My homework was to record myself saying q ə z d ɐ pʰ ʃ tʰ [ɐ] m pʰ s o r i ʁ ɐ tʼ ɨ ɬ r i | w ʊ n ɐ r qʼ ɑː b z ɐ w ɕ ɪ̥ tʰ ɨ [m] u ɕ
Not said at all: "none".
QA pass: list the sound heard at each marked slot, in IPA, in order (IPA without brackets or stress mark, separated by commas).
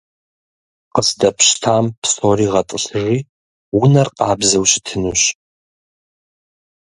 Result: a, n